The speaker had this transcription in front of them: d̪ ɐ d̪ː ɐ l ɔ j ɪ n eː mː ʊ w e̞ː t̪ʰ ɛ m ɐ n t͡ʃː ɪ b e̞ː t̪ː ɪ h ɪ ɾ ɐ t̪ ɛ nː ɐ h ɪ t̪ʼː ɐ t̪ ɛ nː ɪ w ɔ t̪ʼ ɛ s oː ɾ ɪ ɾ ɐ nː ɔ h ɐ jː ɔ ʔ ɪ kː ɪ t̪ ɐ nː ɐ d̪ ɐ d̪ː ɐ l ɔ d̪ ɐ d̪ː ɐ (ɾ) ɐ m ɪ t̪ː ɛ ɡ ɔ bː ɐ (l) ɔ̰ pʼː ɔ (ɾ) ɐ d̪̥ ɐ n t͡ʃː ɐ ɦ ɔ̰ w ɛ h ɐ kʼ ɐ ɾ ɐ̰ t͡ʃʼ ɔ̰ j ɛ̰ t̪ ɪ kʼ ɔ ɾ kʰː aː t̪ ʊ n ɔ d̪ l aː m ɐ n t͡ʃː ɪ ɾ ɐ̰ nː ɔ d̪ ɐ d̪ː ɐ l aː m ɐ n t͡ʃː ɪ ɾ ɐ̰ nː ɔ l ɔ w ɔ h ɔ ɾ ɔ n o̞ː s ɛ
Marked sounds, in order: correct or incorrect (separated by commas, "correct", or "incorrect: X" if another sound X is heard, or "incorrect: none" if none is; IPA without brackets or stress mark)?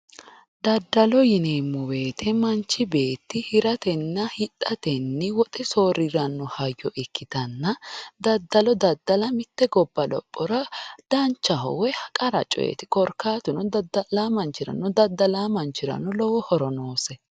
incorrect: l, correct, correct